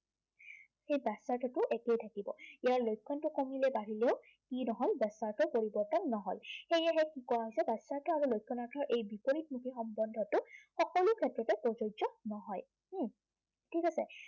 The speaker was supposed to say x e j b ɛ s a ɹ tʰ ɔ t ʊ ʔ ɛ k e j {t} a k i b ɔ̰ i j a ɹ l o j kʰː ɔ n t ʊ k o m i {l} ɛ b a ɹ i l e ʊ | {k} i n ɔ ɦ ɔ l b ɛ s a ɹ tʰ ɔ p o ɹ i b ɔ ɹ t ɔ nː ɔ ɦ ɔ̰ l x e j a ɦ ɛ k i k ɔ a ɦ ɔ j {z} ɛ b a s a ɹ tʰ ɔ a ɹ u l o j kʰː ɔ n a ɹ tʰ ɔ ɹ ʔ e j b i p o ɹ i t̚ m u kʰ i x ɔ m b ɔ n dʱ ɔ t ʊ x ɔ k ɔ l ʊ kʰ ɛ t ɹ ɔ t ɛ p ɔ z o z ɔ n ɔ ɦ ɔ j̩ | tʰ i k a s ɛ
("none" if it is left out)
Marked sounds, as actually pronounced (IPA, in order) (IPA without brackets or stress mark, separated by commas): tʰ, l, k, s